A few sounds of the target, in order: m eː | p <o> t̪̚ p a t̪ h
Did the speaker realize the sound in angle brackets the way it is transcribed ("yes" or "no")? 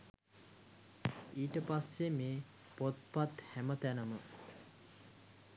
yes